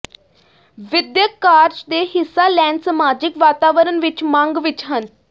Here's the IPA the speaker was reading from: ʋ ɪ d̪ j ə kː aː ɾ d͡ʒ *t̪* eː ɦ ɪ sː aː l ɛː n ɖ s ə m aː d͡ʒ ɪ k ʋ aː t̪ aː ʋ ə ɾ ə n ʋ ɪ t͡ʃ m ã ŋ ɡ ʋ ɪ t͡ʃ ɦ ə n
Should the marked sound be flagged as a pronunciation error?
yes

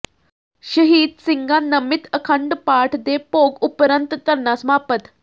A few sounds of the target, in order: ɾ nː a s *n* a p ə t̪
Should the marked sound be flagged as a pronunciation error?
yes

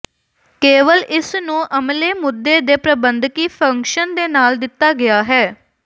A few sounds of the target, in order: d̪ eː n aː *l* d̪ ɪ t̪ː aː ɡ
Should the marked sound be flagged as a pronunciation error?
no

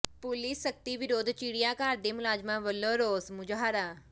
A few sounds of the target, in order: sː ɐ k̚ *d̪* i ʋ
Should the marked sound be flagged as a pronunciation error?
yes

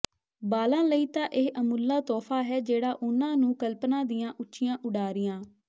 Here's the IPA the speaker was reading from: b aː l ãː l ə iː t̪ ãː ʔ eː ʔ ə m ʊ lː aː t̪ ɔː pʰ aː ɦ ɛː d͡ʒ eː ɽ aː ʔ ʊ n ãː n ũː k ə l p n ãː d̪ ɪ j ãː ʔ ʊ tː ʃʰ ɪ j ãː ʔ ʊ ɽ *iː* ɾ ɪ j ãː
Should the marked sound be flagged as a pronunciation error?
yes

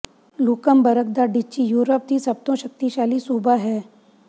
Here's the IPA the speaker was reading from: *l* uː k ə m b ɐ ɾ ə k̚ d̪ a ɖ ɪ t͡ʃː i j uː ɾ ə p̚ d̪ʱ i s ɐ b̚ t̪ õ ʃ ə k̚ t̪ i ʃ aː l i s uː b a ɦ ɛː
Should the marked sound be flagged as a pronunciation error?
no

